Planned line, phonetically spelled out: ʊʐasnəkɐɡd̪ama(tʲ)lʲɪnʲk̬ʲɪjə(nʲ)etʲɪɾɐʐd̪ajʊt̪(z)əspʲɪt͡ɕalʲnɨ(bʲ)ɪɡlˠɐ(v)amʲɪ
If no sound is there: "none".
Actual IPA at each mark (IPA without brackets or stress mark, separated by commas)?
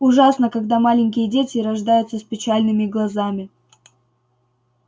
none, dʲ, s, mʲ, z